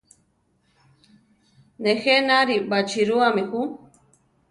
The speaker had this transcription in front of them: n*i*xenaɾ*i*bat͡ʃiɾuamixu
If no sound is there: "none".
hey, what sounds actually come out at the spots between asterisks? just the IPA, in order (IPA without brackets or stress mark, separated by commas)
e, i